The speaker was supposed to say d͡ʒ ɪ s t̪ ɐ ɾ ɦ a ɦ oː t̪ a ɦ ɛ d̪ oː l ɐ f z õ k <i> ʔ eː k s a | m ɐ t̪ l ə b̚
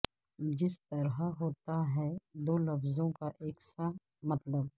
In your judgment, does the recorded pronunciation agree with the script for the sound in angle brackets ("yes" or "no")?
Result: no